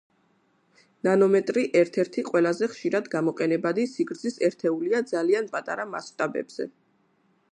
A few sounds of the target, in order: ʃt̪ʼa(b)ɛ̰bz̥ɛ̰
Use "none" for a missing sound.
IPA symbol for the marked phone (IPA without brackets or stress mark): b